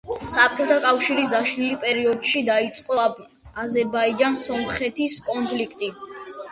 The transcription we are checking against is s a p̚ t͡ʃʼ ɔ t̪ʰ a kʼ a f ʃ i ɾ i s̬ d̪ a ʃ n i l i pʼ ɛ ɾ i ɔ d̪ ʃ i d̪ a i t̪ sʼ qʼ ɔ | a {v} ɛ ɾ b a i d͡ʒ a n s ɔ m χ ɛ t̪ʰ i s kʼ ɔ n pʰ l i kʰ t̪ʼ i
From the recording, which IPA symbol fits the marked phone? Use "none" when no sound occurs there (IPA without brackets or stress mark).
z